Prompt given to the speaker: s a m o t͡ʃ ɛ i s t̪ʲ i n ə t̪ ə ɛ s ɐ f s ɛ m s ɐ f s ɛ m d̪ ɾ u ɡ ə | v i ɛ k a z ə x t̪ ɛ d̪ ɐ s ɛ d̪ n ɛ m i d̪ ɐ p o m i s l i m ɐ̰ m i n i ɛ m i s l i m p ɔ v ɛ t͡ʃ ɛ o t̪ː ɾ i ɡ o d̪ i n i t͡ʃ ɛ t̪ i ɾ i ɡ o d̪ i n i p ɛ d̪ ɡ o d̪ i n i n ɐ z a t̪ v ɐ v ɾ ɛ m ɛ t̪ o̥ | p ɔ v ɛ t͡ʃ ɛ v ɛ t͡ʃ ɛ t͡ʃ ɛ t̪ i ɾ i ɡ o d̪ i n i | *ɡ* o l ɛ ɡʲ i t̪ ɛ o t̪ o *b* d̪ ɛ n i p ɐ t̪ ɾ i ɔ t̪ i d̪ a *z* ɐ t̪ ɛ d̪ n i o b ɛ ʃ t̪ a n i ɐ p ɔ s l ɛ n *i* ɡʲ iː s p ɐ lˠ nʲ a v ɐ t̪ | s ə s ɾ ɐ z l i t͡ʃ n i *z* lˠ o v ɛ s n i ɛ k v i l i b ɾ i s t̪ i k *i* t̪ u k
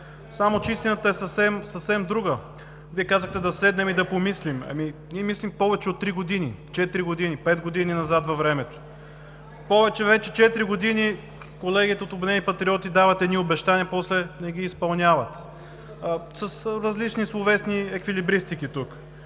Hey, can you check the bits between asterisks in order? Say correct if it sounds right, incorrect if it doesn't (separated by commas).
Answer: incorrect, correct, incorrect, incorrect, incorrect, correct